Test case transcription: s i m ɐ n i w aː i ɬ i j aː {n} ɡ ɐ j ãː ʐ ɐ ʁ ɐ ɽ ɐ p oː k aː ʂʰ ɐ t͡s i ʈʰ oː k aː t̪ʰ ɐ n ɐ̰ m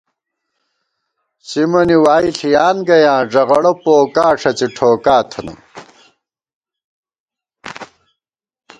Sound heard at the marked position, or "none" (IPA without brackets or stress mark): n